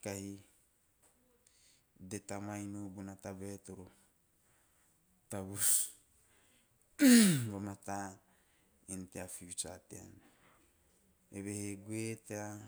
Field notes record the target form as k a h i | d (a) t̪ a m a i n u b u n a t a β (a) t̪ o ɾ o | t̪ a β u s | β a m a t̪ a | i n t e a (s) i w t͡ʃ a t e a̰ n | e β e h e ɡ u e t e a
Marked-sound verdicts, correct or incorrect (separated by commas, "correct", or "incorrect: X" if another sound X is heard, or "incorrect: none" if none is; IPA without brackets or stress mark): incorrect: e, incorrect: e, incorrect: f